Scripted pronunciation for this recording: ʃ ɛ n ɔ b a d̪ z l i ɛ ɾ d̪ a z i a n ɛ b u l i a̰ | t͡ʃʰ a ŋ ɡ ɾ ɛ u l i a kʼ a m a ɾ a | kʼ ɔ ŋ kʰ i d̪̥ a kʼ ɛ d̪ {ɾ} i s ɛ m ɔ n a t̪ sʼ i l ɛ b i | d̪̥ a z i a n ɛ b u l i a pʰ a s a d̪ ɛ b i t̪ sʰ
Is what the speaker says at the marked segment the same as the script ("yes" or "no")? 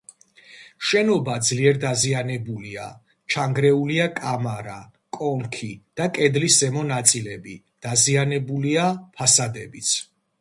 no